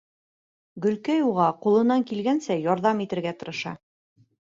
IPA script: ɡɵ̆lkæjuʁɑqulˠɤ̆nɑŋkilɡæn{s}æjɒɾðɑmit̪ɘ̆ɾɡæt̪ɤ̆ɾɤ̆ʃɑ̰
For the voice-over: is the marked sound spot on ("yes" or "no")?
yes